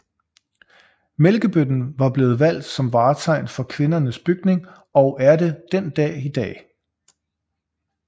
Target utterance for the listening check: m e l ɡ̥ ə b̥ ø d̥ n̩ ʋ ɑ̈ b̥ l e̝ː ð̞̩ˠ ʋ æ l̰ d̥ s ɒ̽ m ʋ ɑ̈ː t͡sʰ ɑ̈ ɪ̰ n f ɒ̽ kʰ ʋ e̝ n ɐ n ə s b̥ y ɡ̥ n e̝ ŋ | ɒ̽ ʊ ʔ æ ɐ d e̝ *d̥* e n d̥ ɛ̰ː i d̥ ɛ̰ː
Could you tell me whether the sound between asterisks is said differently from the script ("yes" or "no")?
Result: no